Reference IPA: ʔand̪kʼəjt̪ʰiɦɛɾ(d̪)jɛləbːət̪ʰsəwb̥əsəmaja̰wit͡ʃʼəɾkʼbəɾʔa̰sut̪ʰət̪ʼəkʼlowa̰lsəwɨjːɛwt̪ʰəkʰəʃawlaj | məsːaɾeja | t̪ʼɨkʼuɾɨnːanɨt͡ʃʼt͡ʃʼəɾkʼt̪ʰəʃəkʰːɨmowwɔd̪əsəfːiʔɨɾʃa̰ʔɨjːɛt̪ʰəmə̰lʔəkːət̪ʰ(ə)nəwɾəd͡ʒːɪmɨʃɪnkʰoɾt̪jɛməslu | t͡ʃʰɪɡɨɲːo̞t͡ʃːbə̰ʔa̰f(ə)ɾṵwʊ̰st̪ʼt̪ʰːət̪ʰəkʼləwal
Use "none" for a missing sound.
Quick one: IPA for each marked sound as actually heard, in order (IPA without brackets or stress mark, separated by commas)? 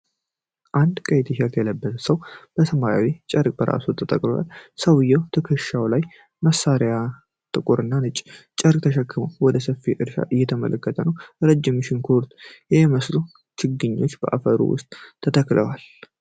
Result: t̪, ə, ə